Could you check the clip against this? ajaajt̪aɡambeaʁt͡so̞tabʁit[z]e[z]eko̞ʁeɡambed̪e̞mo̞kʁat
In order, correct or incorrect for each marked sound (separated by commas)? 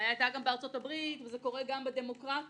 incorrect, correct